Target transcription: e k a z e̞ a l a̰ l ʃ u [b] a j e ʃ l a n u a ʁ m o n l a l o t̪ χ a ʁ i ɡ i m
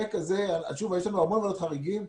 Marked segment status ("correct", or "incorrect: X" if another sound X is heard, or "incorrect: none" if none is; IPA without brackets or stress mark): incorrect: v